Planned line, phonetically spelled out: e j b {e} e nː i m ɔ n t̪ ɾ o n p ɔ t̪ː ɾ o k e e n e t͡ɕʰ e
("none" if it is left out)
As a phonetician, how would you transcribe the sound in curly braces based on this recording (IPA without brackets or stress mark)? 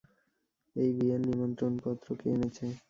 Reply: i